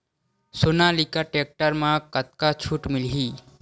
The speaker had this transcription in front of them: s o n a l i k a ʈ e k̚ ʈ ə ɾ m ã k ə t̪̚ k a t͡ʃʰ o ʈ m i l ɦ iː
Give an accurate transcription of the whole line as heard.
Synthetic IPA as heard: s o n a l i k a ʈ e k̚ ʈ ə ɾ m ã k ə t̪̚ k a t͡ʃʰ u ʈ m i l ɦ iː